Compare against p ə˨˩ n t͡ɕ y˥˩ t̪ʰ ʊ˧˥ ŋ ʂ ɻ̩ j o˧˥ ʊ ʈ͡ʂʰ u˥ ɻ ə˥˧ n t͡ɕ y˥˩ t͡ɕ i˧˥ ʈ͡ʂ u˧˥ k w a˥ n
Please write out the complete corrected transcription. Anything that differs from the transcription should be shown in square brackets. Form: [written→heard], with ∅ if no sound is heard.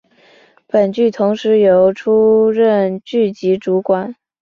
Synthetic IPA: p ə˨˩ n t͡ɕ y˥˩ t̪ʰ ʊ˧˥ ŋ ʂ ɻ̩ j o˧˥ ʊ ʈ͡ʂʰ u˥ ɻ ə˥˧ n t͡ɕ y˥˩ t͡ɕ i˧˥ ʈ͡ʂ u˧˥ k w [a˥→a˨˩˦] n